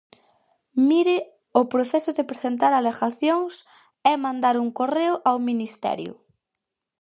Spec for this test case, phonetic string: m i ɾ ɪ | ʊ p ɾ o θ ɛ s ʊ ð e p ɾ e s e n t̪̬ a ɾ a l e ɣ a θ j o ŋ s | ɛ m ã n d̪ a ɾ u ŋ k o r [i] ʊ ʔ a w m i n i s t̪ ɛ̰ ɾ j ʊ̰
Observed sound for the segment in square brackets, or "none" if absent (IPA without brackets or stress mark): e